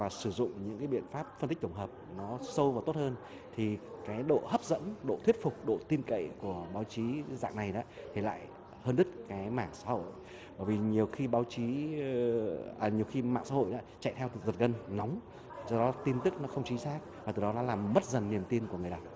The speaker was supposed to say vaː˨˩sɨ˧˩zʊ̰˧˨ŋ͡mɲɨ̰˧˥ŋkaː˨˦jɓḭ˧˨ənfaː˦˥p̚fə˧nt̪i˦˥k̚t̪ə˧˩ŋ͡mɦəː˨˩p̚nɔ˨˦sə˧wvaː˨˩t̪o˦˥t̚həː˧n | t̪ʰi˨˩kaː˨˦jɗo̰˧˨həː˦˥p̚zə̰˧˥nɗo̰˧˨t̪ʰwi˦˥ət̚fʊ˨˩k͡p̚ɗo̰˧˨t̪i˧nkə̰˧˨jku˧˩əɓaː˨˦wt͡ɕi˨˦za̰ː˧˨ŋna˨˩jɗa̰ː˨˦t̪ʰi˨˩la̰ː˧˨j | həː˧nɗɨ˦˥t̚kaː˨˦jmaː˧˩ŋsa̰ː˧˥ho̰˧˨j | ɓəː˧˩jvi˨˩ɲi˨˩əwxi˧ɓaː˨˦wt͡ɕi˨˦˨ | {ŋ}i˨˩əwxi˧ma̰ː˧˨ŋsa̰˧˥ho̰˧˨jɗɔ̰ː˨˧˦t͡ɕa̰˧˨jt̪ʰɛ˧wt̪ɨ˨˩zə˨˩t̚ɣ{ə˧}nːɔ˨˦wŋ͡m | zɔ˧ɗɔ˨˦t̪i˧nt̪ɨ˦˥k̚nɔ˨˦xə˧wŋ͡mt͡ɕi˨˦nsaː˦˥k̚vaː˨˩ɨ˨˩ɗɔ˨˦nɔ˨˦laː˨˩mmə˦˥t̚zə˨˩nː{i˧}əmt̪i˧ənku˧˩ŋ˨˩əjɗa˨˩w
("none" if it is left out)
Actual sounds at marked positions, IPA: ɲ, ə˧, i˨˩

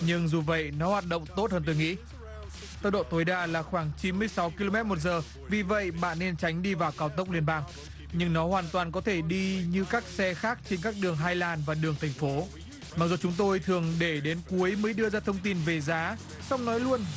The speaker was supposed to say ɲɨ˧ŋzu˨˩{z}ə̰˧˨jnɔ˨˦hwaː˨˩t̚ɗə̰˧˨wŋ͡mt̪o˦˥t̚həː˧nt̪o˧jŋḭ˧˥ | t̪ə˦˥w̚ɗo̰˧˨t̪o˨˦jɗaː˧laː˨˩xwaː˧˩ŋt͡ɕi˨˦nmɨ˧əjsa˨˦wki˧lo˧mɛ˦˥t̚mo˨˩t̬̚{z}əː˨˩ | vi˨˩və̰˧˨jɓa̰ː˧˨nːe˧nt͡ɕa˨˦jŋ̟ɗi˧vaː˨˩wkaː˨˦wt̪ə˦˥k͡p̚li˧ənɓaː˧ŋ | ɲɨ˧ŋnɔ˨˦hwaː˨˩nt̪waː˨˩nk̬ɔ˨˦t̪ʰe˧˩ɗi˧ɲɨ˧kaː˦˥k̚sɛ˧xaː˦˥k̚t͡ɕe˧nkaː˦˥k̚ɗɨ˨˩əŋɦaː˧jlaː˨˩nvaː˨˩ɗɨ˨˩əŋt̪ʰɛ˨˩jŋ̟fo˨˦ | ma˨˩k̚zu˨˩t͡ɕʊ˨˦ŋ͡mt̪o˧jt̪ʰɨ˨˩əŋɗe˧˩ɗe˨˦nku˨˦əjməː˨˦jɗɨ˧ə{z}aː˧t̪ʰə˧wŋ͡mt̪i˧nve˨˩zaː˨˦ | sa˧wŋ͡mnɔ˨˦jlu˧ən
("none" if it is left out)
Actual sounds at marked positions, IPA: v, z, z

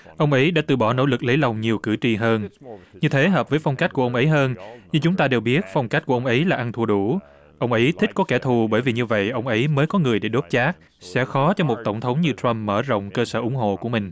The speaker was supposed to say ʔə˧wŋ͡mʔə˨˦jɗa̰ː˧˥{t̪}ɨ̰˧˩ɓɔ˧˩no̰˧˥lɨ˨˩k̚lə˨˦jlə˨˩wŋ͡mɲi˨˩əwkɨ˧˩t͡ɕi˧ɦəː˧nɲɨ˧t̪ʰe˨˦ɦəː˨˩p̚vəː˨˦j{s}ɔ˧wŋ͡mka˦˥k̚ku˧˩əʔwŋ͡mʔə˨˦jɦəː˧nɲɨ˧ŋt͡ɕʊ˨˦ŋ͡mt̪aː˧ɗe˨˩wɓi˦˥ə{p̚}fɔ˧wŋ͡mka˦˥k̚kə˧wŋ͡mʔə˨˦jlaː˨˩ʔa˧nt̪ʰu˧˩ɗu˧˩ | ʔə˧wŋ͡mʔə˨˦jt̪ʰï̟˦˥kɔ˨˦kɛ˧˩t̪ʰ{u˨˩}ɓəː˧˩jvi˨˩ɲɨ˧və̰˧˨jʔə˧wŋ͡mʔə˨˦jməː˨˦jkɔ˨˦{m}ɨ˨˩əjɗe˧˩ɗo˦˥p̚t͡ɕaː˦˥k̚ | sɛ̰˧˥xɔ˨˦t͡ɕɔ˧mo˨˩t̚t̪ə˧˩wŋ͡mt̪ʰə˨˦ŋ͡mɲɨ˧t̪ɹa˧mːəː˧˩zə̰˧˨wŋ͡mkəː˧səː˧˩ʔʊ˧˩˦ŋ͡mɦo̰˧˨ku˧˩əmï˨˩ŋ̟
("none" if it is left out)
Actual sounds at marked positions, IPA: t̪, f, t̚, u˨˩, ŋ

